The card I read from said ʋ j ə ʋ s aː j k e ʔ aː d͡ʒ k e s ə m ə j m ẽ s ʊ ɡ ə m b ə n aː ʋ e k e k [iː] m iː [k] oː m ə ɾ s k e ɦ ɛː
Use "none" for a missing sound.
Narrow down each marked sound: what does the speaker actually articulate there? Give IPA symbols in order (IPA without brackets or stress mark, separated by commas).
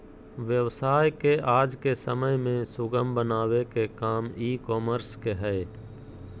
aː, k